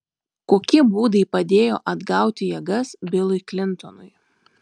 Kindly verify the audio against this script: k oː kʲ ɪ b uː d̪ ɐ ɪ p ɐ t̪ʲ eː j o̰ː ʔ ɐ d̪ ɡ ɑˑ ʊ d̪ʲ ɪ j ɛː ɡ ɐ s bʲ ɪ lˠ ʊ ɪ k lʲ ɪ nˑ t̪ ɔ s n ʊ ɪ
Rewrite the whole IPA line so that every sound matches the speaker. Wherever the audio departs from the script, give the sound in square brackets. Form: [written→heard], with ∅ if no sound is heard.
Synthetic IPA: k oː kʲ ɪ b uː d̪ ɐ ɪ p ɐ [t̪ʲ→d̪ʲ] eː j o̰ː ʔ ɐ d̪ ɡ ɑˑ ʊ [d̪ʲ→t̪ʲ] ɪ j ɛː ɡ ɐ s bʲ ɪ lˠ ʊ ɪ k lʲ ɪ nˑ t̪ ɔ [s→∅] n ʊ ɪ